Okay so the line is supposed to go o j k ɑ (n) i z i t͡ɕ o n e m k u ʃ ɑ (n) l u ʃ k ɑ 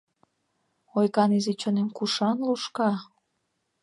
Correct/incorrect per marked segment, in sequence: correct, correct

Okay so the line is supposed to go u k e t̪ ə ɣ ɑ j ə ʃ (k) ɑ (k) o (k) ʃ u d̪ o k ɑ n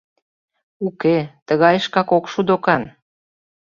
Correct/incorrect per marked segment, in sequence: correct, correct, correct

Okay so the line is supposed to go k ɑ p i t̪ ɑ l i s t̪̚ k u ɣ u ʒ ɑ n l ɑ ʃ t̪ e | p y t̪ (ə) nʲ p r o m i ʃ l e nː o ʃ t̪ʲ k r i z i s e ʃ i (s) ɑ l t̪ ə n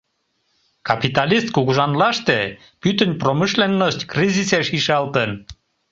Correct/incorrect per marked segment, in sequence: correct, incorrect

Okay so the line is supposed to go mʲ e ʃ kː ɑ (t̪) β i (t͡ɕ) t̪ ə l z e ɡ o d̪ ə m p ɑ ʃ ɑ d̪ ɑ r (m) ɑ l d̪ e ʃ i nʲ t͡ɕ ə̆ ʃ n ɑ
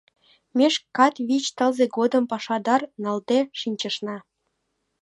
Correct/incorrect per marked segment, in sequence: correct, correct, incorrect

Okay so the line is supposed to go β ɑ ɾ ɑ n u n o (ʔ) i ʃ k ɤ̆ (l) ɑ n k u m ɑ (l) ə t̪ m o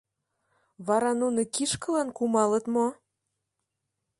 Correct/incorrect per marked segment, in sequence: incorrect, correct, correct

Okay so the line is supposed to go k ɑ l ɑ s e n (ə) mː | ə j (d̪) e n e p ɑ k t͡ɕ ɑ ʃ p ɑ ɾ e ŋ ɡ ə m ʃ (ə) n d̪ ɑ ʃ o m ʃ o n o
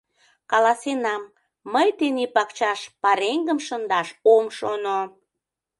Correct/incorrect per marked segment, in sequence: incorrect, incorrect, correct

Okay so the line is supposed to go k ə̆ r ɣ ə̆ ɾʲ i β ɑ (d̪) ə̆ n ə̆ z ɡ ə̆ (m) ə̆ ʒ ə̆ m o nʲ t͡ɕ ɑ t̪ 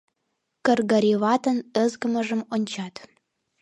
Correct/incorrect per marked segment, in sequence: incorrect, correct

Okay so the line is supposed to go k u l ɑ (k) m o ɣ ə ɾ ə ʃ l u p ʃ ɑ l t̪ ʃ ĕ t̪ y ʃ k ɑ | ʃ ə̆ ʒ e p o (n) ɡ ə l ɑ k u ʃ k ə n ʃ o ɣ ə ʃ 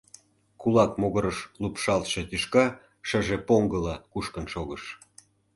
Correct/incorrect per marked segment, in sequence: correct, incorrect

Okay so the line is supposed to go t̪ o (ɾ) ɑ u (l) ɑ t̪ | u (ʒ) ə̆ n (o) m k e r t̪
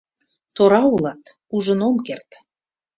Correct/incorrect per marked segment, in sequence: correct, correct, correct, correct

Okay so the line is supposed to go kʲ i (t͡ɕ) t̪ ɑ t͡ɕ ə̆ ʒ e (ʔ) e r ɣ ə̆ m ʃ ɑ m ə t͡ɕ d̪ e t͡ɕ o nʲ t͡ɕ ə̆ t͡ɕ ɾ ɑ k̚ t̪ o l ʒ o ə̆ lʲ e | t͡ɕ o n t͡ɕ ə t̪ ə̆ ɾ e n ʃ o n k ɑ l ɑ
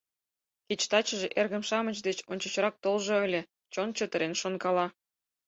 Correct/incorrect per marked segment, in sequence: correct, correct

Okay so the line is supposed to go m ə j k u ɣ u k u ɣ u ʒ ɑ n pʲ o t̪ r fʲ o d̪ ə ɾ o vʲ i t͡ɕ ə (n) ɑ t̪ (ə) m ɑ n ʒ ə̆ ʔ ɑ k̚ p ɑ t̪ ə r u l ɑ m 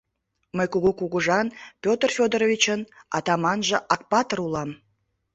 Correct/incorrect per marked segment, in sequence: correct, incorrect

